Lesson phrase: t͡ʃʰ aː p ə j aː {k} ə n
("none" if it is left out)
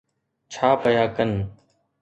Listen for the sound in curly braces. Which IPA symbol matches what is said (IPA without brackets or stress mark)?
k